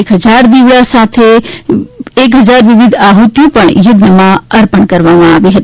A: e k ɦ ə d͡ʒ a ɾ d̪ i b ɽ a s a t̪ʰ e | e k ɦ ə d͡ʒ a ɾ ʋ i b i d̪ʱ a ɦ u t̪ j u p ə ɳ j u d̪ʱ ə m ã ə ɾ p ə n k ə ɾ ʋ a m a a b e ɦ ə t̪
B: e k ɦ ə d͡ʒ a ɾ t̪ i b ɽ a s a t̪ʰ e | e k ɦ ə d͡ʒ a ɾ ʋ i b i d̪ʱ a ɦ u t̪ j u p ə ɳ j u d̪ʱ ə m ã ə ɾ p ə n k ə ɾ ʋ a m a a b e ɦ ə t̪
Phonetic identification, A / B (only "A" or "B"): A